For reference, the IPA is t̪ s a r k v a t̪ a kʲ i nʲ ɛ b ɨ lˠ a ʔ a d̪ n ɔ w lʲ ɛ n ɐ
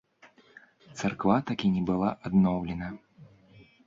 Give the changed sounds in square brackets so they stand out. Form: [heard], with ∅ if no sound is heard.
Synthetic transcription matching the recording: t̪ s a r k v a t̪ a kʲ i nʲ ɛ b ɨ lˠ a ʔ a d̪ n ɔ w lʲ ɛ n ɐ